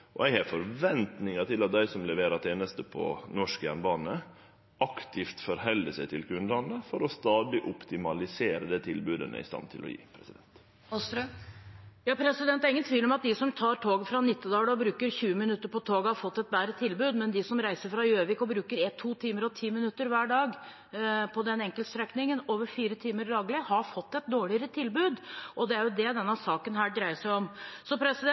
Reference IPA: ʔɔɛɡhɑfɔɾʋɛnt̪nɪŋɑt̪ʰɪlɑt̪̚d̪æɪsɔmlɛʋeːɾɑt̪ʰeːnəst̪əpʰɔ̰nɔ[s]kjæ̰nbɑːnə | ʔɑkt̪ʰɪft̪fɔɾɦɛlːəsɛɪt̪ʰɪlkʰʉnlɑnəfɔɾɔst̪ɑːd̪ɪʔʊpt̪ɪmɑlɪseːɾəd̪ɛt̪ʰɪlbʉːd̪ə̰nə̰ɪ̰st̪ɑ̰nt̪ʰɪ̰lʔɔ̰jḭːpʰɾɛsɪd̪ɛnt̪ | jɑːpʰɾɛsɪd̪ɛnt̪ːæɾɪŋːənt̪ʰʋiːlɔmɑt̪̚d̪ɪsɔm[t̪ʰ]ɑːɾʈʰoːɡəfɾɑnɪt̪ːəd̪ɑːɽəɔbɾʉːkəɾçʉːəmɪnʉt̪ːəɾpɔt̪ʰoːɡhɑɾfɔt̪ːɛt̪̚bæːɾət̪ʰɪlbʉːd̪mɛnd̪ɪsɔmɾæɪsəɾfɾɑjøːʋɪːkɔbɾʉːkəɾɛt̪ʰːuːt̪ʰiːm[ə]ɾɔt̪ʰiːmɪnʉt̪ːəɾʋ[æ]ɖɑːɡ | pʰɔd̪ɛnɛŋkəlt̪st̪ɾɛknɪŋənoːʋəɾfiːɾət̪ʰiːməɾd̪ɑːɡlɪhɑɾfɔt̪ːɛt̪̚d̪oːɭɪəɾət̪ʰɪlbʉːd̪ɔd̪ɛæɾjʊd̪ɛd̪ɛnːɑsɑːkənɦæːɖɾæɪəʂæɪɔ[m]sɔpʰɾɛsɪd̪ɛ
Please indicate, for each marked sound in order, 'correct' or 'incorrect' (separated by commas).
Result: incorrect, correct, correct, incorrect, correct